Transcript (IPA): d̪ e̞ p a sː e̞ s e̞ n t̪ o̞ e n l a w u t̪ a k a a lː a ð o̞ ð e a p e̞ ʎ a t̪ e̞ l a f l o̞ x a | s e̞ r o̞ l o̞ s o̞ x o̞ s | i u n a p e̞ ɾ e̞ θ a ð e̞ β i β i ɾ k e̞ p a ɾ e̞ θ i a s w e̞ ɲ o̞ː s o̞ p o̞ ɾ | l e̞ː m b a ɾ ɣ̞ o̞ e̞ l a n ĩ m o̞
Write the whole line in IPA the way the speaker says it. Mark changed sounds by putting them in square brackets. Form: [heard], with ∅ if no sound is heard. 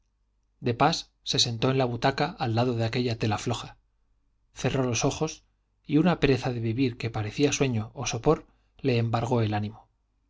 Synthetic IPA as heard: d̪ e̞ p a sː e̞ s e̞ n t̪ o̞ e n l a [β] u t̪ a k a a lː a ð o̞ ð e a [k] e̞ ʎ a t̪ e̞ l a f l o̞ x a | [θ] e̞ r o̞ l o̞ s o̞ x o̞ s | i u n a p e̞ ɾ e̞ θ a ð e̞ β i β i ɾ k e̞ p a ɾ e̞ θ i a s w e̞ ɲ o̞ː s o̞ p o̞ ɾ | l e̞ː m b a ɾ ɣ̞ o̞ e̞ l a n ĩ m o̞